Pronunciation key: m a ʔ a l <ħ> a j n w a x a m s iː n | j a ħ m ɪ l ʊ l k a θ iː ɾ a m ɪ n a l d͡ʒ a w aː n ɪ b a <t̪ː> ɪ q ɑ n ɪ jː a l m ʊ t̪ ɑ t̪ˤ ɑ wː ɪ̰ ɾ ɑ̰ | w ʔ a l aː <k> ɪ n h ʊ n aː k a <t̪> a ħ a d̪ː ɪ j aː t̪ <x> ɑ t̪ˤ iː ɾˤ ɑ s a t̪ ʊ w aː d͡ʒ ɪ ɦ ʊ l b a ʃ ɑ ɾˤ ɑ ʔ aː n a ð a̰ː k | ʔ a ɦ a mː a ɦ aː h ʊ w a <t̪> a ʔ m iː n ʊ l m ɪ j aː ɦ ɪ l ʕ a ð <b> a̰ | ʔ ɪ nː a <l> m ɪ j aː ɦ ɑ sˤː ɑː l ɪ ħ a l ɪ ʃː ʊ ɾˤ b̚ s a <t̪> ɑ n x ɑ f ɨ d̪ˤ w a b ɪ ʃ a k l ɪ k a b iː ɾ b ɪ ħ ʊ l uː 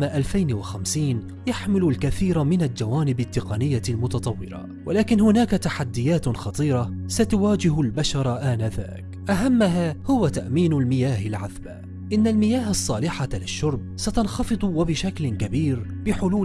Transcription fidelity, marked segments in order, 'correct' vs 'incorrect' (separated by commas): incorrect, correct, correct, correct, correct, correct, correct, correct, correct